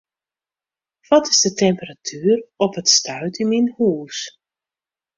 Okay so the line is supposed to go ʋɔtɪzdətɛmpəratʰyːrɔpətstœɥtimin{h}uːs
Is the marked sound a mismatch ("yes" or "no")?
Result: no